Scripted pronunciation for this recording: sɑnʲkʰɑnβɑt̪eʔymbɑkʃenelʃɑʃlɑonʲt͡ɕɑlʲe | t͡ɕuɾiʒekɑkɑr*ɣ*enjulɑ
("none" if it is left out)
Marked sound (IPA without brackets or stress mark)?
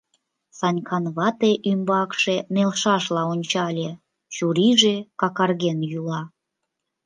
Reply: ɣ